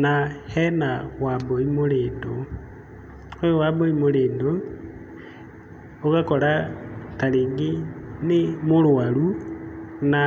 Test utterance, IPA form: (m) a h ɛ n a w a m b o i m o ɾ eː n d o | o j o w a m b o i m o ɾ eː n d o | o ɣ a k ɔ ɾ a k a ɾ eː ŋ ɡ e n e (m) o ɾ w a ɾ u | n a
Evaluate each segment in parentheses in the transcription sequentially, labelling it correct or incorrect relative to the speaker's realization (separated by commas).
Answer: incorrect, correct